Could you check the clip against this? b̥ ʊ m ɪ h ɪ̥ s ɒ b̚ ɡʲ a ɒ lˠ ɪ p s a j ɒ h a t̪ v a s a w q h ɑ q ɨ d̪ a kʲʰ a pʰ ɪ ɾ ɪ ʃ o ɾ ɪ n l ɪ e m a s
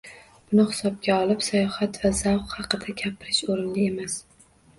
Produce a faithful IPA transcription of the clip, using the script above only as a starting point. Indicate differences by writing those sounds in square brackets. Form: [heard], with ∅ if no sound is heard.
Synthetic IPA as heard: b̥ ʊ [n] ɪ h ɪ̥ s ɒ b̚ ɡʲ a ɒ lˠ ɪ p s a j ɒ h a t̪ v a [z] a w q h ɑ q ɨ d̪ a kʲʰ a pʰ ɪ ɾ ɪ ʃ o ɾ ɪ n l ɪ e m a s